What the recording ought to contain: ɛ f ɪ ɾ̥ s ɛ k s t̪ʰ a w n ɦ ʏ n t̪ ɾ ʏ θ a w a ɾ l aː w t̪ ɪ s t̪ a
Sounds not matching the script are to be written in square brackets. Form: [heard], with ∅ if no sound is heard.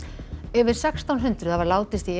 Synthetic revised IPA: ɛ [v] ɪ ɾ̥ s ɛ k s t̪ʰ a w n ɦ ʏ n t̪ ɾ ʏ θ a [v] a ɾ l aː w t̪ ɪ s t̪ [i]